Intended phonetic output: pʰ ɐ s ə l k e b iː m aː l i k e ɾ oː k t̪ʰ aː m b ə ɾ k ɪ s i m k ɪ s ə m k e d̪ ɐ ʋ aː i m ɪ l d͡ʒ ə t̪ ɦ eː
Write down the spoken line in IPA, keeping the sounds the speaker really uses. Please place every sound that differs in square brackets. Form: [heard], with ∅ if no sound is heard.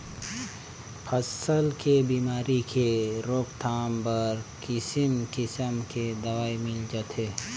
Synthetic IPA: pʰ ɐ s ə l k e b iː m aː [ɾ] i k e ɾ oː k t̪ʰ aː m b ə ɾ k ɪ s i m k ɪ s ə m k e d̪ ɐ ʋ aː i m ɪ l d͡ʒ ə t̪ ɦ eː